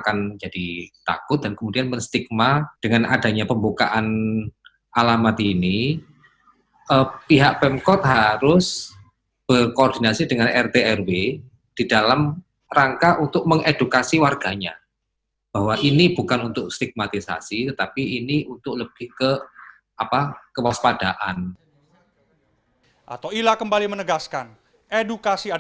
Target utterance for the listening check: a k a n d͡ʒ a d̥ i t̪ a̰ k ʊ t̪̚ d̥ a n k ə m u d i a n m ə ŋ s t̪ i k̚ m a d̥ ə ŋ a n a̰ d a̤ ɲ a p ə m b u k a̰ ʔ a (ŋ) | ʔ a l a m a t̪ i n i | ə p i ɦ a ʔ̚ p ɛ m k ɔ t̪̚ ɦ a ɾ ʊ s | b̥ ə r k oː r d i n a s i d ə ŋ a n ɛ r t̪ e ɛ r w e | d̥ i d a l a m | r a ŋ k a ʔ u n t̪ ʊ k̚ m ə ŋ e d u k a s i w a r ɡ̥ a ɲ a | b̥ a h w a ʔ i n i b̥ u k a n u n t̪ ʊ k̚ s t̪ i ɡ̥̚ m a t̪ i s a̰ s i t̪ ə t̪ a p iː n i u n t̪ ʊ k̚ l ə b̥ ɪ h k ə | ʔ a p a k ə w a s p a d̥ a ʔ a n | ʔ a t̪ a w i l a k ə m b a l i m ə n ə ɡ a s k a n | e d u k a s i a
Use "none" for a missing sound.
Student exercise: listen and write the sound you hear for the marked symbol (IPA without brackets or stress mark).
n